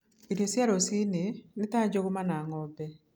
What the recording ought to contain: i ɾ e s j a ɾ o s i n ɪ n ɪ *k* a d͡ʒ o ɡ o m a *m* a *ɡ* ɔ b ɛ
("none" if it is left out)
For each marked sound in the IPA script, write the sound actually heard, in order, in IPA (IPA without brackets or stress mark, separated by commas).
t, n, ŋ